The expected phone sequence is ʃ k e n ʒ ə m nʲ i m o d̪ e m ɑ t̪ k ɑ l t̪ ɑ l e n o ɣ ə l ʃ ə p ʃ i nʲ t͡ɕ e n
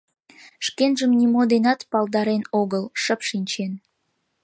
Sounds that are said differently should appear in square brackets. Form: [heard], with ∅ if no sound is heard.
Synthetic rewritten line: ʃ k e n ʒ ə m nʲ i m o d̪ e [n] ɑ t̪ [p] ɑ l [d̪] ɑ [ɾ] e n o ɣ ə l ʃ ə p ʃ i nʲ t͡ɕ e n